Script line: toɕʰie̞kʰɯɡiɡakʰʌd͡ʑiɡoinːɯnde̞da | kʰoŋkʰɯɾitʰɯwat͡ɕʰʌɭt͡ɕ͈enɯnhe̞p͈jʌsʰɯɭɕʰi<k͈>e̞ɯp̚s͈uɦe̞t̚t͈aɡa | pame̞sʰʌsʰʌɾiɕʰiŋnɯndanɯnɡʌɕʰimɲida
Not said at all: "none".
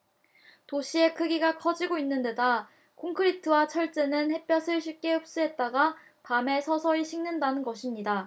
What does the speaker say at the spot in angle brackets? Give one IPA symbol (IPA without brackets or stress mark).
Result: k͈